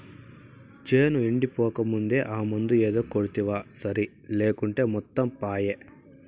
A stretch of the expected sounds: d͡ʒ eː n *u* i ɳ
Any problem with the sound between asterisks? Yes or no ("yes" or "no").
no